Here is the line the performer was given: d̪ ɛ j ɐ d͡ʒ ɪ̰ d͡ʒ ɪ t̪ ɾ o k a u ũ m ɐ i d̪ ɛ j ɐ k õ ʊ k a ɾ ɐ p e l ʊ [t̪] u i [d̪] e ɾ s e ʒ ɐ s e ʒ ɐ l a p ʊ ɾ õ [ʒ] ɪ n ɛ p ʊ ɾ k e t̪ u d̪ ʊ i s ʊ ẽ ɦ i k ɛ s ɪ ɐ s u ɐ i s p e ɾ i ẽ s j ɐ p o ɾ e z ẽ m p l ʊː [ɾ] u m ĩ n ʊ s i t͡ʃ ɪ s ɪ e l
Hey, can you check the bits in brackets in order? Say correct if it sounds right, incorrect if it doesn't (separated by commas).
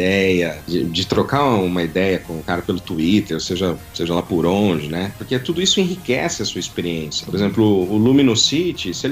correct, incorrect, correct, incorrect